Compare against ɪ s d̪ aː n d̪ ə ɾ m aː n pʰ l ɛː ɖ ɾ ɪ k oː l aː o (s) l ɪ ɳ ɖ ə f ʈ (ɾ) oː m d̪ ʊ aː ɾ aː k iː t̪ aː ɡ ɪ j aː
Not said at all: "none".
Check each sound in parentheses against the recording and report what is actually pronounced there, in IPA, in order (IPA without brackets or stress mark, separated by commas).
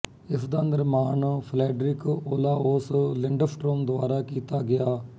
s, ɾ